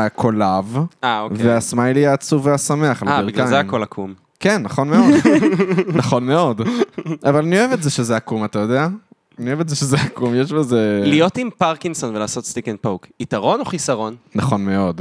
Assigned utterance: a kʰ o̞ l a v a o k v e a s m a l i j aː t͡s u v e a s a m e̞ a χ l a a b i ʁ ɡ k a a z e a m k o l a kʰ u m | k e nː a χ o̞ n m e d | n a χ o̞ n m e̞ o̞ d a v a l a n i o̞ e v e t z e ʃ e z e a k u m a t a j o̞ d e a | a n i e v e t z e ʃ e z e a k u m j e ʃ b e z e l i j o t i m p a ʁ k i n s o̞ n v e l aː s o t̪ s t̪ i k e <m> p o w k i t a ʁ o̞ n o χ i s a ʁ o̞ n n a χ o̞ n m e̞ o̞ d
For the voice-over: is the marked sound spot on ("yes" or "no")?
no